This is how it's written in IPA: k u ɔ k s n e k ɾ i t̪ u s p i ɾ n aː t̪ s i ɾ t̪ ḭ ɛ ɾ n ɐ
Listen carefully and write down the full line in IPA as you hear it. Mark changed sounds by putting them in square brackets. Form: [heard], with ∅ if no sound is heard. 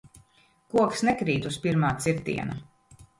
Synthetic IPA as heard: k u ɔ k s n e k ɾ [iː] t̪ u s p i ɾ [m] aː t̪ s i ɾ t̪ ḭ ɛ [∅] n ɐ